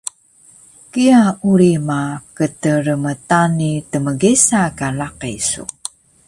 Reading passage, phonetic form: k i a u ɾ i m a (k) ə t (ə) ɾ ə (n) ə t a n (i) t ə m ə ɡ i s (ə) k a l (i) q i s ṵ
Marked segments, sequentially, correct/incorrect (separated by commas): correct, correct, incorrect, correct, incorrect, incorrect